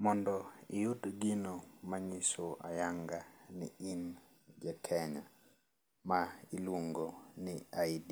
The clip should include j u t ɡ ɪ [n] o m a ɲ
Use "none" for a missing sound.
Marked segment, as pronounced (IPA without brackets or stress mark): n